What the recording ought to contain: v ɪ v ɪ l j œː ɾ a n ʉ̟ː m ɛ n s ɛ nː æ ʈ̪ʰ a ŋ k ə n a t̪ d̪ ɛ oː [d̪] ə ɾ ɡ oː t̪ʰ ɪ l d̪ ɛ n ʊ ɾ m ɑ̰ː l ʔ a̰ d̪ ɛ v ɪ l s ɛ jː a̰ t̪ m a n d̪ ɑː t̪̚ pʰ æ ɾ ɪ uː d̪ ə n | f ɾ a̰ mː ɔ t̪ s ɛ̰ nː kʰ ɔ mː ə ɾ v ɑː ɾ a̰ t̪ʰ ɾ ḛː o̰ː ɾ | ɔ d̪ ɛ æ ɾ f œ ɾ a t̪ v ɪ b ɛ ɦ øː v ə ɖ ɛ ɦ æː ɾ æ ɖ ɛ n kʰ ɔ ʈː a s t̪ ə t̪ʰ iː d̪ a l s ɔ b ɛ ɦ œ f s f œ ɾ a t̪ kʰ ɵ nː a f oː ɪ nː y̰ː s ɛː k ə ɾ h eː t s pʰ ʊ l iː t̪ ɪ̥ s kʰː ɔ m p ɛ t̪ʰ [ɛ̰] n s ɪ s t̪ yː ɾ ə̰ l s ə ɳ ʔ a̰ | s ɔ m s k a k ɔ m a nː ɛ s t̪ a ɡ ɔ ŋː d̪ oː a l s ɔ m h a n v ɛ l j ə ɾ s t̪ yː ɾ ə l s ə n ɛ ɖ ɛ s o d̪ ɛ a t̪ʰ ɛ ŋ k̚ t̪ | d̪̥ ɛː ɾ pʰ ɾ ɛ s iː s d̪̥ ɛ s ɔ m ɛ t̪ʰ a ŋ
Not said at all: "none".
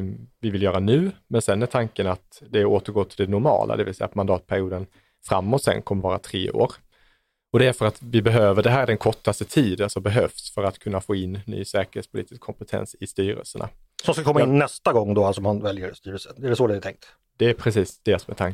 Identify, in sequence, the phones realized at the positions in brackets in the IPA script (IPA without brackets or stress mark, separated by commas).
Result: t̪, ɛ̰